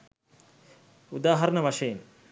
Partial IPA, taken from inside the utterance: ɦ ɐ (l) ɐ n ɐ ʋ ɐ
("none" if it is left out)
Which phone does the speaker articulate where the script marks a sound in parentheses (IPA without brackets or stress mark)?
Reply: ɾ